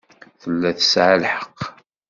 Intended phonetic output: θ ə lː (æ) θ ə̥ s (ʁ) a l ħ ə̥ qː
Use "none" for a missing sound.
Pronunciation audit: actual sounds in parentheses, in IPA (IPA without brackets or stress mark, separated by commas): æ, ʕ